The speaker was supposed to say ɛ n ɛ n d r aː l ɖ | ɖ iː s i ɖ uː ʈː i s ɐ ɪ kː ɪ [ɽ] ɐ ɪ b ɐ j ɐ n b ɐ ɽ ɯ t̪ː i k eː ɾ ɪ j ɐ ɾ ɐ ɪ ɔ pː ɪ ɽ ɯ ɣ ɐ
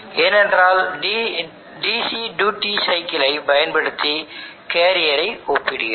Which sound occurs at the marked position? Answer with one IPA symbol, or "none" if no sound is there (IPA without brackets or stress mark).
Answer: l